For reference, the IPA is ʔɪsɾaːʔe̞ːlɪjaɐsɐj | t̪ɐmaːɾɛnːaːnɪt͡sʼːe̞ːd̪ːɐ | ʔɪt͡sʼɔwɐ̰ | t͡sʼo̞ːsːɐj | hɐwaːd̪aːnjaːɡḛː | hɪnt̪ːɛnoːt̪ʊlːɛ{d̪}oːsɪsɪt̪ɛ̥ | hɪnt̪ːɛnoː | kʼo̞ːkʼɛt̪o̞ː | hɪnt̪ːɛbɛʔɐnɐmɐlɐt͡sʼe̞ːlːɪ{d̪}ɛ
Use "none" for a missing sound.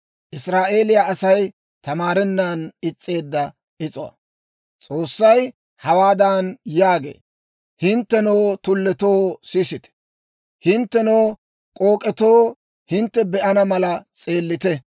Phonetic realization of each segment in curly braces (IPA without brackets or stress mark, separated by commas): t̪, t̪